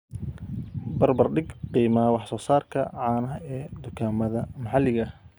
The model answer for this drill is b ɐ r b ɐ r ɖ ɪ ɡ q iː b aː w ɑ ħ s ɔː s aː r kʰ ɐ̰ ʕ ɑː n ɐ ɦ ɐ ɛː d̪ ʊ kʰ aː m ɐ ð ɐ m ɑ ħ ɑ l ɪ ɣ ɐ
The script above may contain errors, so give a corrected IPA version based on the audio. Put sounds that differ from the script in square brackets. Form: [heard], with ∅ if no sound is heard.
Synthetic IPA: b ɐ r b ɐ r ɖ ɪ ɡ q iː [m] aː w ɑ ħ s ɔː s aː r kʰ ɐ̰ ʕ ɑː n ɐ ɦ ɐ ɛː d̪ ʊ kʰ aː m ɐ ð ɐ m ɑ ħ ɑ l ɪ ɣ ɐ